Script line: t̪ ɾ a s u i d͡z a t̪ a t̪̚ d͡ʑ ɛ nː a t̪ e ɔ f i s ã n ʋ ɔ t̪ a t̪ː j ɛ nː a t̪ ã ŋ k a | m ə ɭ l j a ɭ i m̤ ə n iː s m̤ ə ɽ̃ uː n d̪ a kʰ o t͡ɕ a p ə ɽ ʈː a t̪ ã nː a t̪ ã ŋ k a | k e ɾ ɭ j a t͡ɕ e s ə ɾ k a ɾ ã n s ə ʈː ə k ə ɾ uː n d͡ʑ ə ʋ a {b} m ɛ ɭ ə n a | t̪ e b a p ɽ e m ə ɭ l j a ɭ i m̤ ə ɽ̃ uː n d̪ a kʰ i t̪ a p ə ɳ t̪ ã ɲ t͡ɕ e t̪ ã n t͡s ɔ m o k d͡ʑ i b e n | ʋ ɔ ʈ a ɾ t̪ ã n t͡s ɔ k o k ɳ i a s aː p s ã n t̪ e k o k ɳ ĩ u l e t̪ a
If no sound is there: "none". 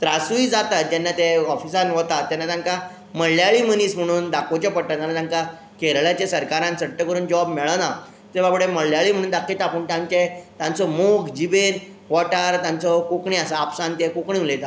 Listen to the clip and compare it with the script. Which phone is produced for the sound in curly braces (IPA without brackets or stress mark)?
b